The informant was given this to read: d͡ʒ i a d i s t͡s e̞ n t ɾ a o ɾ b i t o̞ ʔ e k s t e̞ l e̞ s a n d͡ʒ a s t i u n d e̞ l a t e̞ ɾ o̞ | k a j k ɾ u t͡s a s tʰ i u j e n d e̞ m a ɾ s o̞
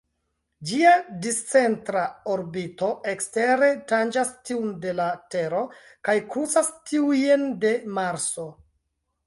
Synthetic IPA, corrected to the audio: d͡ʒ i a d i s t͡s e̞ n t ɾ a o ɾ b i t o̞ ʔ e k s t e̞ ɾ e̞ t a n d͡ʒ a s t i u n d e̞ l a t e̞ ɾ o̞ | k a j k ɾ u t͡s a s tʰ i u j e n d e̞ m a ɾ s o̞